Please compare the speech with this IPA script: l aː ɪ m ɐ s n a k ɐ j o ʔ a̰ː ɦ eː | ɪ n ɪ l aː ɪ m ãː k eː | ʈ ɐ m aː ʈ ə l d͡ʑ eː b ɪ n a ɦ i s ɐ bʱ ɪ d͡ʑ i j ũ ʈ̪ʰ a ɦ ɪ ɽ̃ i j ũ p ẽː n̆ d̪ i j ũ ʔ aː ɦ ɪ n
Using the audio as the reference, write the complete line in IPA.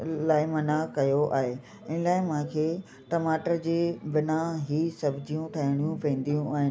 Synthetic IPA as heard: l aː ɪ m ɐ n a k ɐ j o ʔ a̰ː ɦ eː | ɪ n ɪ l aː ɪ m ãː kʰ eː | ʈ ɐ m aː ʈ ə ɾ d͡ʑ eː b ɪ n a ɦ i s ɐ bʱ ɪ d͡ʑ i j ũ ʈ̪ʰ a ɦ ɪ ɽ̃ i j ũ p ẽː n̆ d̪ i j ũ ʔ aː ɦ ɪ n